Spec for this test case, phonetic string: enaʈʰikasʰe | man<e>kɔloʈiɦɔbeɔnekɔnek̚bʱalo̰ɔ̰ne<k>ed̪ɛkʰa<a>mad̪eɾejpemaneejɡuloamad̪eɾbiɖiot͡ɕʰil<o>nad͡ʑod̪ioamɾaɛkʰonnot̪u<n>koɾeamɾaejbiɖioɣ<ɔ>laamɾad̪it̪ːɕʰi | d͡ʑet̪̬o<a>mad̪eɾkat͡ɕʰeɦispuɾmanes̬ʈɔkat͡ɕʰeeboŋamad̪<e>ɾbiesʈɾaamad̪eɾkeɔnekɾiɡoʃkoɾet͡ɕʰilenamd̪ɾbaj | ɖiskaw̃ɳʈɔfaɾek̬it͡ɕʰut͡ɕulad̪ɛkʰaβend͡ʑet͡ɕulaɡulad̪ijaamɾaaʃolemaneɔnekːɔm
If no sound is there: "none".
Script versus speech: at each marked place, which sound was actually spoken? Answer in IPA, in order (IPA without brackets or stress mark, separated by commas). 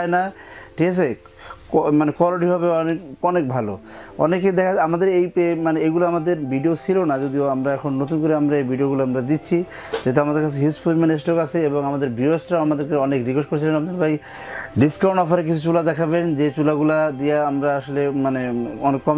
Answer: e, k, a, o, n, u, a, e